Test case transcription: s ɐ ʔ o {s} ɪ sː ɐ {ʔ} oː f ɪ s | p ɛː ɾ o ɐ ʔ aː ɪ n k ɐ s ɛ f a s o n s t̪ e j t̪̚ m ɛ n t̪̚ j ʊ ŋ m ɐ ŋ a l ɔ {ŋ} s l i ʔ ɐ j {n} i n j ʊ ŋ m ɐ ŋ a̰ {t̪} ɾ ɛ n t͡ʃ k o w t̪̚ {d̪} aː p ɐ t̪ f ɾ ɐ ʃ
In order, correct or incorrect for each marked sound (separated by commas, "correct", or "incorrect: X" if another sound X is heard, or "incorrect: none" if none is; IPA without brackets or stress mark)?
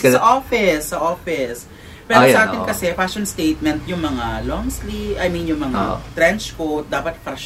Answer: incorrect: f, correct, correct, incorrect: m, correct, correct